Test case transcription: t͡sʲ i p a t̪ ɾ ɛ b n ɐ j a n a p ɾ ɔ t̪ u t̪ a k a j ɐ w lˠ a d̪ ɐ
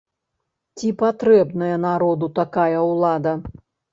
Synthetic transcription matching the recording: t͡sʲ i p a t̪ ɾ ɛ b n ɐ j ɐ n a ɾ ɔ d̪ u t̪ a k a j ɐ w lˠ a d̪ ɐ